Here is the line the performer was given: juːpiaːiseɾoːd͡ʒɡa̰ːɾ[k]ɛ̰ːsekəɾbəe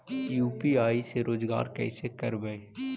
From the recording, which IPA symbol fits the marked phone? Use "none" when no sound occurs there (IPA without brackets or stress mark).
k